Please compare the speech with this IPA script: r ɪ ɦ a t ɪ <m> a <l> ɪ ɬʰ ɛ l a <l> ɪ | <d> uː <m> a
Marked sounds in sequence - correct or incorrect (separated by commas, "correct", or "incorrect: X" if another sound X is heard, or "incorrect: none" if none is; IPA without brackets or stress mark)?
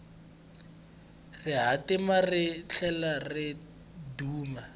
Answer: correct, incorrect: r, incorrect: r, correct, correct